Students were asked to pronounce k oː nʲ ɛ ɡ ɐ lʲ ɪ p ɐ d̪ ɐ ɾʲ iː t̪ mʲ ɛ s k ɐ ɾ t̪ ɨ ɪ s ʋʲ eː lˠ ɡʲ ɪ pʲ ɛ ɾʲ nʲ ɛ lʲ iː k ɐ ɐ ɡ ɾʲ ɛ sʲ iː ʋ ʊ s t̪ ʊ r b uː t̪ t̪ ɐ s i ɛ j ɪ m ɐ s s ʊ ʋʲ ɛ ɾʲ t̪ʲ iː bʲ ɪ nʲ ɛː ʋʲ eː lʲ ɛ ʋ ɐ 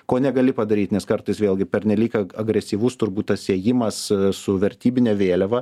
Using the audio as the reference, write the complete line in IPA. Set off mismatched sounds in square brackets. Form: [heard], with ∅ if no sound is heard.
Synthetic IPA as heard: k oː nʲ ɛ ɡ ɐ lʲ ɪ p ɐ d̪ ɐ ɾʲ iː t̪ [nʲ] ɛ s k ɐ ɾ t̪ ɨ ɪ s ʋʲ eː lˠ ɡʲ ɪ pʲ ɛ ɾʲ nʲ ɛ lʲ iː k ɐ ɐ ɡ ɾʲ ɛ sʲ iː ʋ ʊ s t̪ ʊ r b uː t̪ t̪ ɐ s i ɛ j ɪ m ɐ s s ʊ ʋʲ ɛ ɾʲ t̪ʲ iː bʲ ɪ nʲ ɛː ʋʲ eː lʲ ɛ ʋ ɐ